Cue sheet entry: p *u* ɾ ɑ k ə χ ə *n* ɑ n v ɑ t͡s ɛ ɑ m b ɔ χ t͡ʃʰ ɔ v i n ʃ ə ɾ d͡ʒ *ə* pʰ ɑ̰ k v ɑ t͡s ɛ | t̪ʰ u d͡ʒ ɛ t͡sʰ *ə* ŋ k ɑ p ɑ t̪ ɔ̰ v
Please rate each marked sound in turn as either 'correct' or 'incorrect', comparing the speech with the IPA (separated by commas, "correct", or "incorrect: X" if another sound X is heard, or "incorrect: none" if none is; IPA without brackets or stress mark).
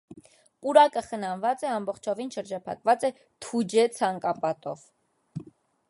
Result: correct, correct, incorrect: ɑ, incorrect: ɑ